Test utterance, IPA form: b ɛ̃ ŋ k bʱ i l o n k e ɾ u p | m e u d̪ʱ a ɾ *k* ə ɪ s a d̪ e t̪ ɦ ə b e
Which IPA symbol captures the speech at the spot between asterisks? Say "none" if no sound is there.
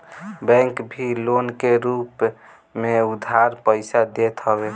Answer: p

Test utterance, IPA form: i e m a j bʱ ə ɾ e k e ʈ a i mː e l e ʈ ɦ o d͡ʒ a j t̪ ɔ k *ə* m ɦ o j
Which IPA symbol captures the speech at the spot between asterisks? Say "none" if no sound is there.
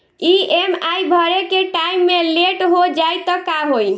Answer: a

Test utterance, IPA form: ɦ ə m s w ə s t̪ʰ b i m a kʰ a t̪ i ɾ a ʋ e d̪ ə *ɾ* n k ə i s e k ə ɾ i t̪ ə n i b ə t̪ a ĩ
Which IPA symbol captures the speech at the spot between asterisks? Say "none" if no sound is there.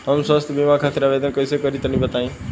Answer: none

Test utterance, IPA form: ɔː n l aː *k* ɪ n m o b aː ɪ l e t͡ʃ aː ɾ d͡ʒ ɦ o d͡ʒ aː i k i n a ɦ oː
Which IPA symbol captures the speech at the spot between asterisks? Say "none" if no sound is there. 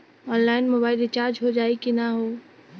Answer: none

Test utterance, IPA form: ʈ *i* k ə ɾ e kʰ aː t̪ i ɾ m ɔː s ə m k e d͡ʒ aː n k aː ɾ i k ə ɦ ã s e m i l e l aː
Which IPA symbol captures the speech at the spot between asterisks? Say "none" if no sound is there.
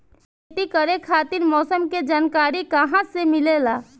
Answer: i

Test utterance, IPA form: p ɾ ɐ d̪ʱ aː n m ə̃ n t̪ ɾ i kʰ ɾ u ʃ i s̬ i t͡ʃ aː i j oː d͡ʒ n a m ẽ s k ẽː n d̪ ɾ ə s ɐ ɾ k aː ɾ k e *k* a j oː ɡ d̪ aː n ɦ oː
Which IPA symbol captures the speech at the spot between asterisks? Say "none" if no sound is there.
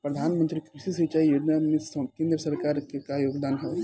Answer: k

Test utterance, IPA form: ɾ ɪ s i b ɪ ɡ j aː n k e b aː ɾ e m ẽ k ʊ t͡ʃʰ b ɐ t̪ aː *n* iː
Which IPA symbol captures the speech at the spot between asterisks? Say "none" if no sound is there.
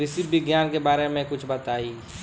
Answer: none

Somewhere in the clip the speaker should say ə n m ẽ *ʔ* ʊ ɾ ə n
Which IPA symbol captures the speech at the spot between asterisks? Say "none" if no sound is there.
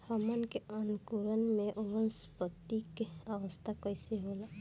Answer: ʔ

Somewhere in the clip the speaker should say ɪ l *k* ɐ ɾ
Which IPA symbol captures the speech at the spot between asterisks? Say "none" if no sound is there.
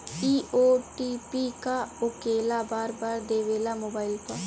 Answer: p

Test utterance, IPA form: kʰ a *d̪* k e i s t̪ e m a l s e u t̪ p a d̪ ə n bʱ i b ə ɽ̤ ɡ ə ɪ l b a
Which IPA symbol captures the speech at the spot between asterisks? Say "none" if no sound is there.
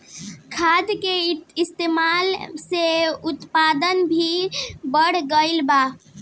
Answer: d̪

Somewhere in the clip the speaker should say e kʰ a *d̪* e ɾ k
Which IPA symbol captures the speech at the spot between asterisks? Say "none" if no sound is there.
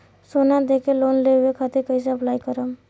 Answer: t̪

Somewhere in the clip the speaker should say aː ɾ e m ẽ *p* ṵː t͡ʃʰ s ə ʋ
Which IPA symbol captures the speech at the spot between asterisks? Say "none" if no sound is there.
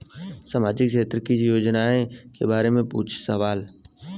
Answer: p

